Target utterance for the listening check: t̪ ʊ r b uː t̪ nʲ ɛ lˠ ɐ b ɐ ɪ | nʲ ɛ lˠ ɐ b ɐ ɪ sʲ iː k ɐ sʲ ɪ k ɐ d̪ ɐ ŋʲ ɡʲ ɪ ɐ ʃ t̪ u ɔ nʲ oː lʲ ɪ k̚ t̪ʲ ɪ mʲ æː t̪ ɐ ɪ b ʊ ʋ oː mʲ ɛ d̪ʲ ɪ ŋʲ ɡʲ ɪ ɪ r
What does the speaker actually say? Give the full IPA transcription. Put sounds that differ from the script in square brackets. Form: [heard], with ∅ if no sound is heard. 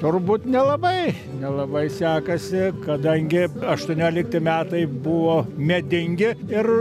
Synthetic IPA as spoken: t̪ ʊ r b uː t̪ nʲ ɛ lˠ ɐ b ɐ ɪ | nʲ ɛ lˠ ɐ b ɐ ɪ sʲ [æː] k ɐ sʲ ɪ k ɐ d̪ ɐ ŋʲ ɡʲ ɪ ɐ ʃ t̪ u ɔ nʲ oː lʲ ɪ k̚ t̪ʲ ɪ mʲ æː t̪ ɐ ɪ b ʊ ʋ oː mʲ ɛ d̪ʲ ɪ ŋʲ ɡʲ ɪ ɪ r